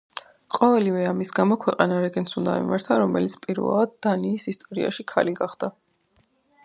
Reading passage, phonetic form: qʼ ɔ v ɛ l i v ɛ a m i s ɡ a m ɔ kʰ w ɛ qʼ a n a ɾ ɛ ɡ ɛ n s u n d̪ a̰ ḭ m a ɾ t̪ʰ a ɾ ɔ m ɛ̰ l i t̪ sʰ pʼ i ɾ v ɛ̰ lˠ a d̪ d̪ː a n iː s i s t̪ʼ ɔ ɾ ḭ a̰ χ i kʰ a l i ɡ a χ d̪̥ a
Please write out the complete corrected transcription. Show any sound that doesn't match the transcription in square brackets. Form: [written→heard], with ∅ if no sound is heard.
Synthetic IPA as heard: qʼ ɔ v ɛ l i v ɛ a m i s ɡ a m ɔ kʰ w ɛ qʼ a n a ɾ ɛ ɡ ɛ n s u n d̪ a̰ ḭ m a ɾ t̪ʰ a ɾ ɔ m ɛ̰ l i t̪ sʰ pʼ i ɾ v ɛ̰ lˠ a d̪ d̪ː a n iː s i s t̪ʼ ɔ ɾ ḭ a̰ [χ→ʃ] i kʰ a l i ɡ a χ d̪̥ a